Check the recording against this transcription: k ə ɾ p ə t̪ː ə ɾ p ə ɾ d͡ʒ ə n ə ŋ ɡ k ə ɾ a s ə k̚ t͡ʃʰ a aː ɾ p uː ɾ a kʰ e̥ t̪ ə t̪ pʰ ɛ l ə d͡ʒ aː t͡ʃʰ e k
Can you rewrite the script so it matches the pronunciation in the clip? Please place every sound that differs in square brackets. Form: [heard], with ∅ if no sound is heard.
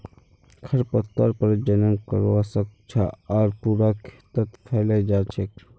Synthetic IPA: [kʰ] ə ɾ p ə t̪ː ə ɾ p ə ɾ d͡ʒ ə n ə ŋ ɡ k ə ɾ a s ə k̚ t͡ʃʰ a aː ɾ p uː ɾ a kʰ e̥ t̪ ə t̪ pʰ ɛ l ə d͡ʒ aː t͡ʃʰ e k